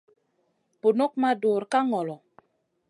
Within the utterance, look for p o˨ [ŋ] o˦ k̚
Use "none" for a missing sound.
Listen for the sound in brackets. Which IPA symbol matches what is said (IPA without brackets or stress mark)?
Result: n